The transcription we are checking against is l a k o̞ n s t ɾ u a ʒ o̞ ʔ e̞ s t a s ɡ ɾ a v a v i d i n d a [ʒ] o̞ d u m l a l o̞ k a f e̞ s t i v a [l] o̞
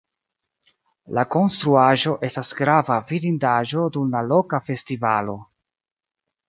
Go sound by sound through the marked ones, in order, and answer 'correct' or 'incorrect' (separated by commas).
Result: correct, correct